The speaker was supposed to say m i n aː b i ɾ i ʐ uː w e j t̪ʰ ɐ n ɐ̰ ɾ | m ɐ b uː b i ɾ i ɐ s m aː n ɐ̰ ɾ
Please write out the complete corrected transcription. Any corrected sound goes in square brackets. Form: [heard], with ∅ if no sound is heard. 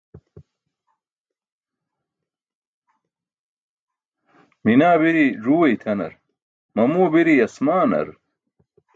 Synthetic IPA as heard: m i n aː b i ɾ i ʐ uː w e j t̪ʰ ɐ n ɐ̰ ɾ | m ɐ [m] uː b i ɾ i ɐ s m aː n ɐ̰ ɾ